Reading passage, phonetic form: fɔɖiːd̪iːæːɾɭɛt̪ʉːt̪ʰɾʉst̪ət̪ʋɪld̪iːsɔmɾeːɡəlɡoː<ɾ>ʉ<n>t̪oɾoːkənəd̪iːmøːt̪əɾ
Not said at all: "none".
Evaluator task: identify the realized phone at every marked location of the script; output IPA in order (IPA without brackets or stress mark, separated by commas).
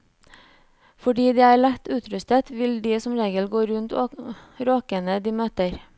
ɾ, n